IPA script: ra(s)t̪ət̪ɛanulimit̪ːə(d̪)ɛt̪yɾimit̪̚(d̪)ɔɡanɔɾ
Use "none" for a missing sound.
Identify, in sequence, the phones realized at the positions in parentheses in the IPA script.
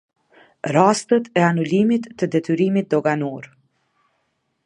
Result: s, d̪, d̪

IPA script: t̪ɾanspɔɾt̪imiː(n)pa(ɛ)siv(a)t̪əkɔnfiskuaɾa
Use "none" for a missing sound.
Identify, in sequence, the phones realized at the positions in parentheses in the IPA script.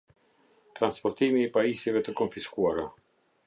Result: none, i, ɛ

